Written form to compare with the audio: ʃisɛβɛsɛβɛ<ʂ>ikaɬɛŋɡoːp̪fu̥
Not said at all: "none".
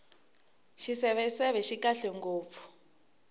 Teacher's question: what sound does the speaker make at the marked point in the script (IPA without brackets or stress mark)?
ʃ